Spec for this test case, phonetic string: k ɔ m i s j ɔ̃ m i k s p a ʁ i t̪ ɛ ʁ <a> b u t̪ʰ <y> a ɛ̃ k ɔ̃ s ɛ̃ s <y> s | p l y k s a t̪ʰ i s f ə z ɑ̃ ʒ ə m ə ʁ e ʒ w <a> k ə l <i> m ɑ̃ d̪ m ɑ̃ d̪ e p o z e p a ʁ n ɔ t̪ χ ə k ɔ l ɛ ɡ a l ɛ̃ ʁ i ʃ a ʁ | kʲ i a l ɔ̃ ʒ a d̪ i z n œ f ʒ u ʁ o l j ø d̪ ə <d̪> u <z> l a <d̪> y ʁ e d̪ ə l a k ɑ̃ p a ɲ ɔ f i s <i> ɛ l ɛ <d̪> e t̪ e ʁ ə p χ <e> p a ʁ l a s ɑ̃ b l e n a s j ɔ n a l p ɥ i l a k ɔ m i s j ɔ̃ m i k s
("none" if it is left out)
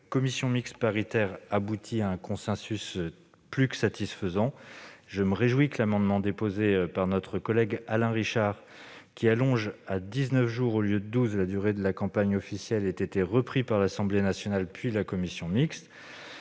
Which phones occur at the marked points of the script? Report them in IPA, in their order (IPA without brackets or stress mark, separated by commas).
a, i, y, i, a, d̪, z, d̪, j, t̪, i